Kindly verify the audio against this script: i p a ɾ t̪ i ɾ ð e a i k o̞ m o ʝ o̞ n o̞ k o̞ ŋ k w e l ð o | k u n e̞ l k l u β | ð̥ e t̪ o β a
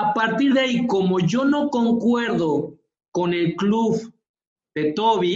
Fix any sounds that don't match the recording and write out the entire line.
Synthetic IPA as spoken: a p a ɾ t̪ i ɾ ð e a i k o̞ m o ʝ o̞ n o̞ k o̞ ŋ k w e ɾ ð o | k o n e̞ l k l u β | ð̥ e t̪ o β i